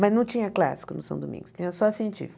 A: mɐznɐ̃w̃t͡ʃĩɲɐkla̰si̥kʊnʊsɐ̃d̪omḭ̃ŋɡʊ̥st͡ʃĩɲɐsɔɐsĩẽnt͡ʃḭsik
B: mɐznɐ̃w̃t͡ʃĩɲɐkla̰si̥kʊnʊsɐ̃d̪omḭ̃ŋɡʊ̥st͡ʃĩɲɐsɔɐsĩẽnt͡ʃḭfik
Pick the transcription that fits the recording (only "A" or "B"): B